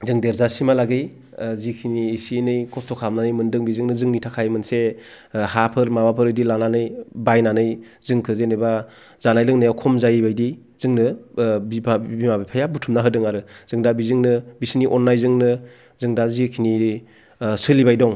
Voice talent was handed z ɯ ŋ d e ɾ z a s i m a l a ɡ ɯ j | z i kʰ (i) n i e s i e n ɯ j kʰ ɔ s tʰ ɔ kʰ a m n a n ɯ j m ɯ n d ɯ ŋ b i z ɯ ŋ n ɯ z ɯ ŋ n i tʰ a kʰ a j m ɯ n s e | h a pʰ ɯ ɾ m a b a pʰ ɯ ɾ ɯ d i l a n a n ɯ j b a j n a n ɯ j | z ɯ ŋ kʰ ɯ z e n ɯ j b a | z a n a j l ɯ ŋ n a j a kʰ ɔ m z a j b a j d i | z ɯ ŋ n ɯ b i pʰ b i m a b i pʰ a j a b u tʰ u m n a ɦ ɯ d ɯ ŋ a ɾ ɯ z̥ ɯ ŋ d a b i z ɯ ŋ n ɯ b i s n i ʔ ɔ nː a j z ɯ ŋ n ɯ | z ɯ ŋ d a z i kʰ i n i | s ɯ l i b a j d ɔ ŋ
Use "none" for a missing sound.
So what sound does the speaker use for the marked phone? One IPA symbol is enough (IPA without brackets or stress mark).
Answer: i